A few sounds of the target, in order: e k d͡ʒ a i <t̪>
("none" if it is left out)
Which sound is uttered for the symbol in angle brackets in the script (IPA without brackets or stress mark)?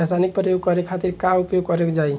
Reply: none